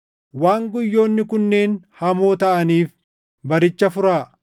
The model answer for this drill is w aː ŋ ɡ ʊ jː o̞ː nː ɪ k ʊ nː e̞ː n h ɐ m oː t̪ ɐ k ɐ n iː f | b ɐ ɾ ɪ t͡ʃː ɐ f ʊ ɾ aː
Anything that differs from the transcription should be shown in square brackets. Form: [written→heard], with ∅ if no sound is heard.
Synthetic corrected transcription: w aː ŋ ɡ ʊ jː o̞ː nː ɪ k ʊ nː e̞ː n h ɐ m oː t̪ ɐ [k→ʔ] ɐ n iː f | b ɐ ɾ ɪ t͡ʃː ɐ f ʊ ɾ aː